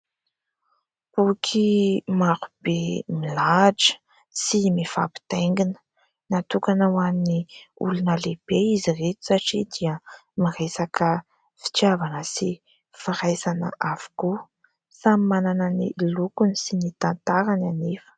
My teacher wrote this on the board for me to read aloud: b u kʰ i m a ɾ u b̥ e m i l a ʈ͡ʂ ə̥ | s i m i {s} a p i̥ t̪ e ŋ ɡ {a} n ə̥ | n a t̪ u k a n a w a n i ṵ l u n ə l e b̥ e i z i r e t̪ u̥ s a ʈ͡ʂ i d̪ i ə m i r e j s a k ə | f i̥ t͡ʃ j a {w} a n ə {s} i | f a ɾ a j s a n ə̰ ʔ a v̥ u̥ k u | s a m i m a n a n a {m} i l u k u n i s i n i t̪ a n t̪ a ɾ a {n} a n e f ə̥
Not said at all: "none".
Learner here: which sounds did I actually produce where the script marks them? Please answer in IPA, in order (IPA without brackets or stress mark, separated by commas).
f, i, v, s, n, n